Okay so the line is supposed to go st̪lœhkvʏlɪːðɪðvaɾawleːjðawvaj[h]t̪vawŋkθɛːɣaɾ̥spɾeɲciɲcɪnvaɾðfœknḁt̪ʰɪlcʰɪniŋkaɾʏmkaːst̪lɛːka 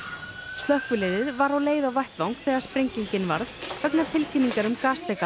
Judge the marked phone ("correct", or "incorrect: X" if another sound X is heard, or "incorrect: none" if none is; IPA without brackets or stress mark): correct